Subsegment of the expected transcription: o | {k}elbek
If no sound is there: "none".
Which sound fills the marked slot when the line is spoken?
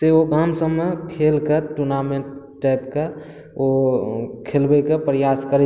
kʰ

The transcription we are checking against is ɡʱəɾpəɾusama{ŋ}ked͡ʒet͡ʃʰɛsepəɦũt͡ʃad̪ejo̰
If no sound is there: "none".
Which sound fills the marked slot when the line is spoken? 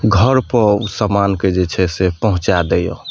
n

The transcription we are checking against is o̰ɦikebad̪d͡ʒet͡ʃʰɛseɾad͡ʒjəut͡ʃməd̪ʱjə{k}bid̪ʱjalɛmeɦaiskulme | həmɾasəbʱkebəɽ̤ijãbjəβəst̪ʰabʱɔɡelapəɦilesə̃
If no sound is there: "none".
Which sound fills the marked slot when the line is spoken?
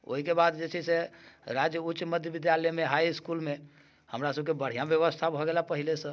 none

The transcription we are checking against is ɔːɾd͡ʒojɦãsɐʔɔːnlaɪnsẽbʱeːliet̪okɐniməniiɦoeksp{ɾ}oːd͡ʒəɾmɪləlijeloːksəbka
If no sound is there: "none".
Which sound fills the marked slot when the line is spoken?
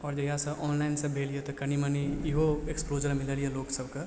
l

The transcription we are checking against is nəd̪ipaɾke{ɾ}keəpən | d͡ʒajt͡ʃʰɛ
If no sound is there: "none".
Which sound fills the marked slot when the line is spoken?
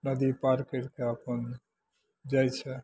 ɾ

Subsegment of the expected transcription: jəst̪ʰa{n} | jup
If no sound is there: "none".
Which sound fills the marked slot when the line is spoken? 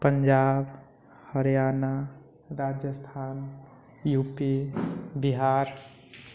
n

